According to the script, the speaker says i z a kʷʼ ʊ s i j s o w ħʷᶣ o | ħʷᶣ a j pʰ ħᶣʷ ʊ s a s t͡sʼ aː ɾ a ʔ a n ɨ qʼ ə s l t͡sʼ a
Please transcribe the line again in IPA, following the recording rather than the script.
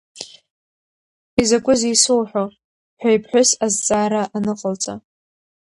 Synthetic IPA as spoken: i z a kʷʼ ʊ z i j s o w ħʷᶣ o | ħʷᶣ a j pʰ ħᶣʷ ʊ s a z t͡sʼ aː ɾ a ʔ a n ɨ qʼ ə l t͡sʼ a

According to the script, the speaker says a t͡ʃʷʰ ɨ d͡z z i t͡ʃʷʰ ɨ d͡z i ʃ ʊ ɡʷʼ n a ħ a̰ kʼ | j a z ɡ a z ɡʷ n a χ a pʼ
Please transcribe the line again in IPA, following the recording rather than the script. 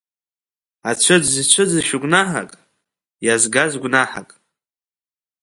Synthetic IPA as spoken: a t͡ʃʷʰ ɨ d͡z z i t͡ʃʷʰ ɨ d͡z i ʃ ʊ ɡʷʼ n a ħ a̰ kʼ | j a z ɡ a z ɡʷ n a ħ a kʼ

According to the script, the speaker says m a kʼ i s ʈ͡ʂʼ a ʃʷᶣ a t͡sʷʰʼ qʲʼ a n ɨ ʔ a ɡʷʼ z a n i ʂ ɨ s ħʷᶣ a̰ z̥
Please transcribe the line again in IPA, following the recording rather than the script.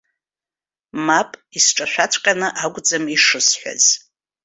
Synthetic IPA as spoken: m a pʼ i s ʈ͡ʂʼ a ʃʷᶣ a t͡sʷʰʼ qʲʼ a n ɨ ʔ a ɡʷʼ d͡z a m i ʂ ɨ s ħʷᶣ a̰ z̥

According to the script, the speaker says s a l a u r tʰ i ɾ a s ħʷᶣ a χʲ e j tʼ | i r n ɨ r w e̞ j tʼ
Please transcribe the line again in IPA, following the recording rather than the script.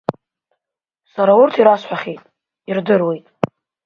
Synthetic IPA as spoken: s a ɾ a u r tʰ i ɾ a s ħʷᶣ a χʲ e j tʼ | i r d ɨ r w e̞ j tʼ

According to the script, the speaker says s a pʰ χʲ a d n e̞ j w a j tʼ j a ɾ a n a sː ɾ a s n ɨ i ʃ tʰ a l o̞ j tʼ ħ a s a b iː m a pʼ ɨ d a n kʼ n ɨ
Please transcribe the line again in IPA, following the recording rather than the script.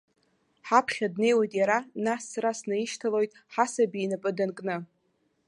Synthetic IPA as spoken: ħ a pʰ χʲ a d n e̞ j w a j tʼ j a ɾ a n a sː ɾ a s n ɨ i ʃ tʰ a l o̞ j tʼ ħ a s a b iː n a pʼ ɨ d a n kʼ n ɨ

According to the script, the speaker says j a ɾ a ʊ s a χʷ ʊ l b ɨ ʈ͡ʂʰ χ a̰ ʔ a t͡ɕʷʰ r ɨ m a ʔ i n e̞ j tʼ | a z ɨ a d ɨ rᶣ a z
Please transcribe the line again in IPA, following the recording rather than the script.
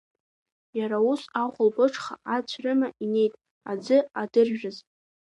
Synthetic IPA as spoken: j a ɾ a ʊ s a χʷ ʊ l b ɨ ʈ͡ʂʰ χ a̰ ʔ a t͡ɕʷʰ r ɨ m a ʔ i n e̞ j tʼ | a d͡z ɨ a d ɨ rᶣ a z

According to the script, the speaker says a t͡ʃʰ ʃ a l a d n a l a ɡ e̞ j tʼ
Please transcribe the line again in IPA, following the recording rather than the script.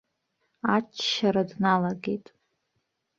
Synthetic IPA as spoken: a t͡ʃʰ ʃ a ɾ a d n a l a ɡ e̞ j tʼ

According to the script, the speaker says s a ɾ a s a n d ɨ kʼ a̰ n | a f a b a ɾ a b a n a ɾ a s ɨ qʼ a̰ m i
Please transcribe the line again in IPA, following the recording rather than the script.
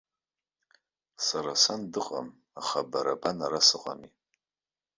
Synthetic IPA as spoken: s a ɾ a s a n d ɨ qʼ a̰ m | a χ a b a ɾ a b a n a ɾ a s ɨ qʼ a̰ m i

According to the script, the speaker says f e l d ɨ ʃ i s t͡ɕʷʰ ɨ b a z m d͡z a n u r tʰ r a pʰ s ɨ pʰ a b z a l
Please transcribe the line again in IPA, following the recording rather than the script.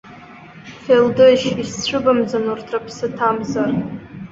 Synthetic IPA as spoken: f e l d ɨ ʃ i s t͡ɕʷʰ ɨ b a m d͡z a n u r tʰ r a pʰ s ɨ tʰ a m z a r

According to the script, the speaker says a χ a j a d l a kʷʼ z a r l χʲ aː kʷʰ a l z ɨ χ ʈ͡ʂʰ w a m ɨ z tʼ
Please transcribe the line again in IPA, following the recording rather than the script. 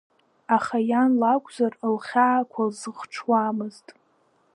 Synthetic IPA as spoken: a χ a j a n l a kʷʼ z a r l χʲ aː kʷʰ a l z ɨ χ ʈ͡ʂʰ w a m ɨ z tʼ

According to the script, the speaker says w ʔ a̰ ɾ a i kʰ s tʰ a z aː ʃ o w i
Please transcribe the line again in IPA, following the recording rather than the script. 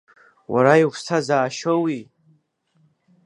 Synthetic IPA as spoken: w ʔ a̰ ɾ a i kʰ s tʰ a z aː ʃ o w i

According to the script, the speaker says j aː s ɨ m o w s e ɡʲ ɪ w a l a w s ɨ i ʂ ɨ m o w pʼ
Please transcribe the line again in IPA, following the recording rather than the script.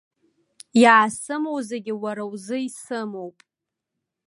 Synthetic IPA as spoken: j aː s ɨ m o w z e ɡʲ ɪ w a ɾ a w z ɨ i s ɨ m o w pʼ

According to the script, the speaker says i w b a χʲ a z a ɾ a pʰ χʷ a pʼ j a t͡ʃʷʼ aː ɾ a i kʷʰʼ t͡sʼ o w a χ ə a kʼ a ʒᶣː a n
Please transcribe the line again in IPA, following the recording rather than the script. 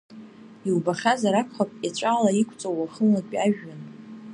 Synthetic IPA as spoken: i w b a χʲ a z a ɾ a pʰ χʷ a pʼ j a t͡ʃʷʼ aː l a i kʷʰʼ t͡sʼ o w a χ ə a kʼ a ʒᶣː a n

